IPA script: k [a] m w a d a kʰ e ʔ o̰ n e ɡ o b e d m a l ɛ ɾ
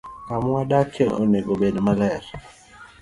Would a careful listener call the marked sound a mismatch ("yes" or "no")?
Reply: no